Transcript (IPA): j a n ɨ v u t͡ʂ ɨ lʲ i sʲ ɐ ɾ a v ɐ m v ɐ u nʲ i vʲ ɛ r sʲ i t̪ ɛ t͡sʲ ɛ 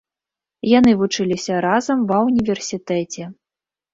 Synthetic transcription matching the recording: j a n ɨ v u t͡ʂ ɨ lʲ i sʲ ɐ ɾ a z ɐ m v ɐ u nʲ i vʲ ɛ r sʲ i t̪ ɛ t͡sʲ ɛ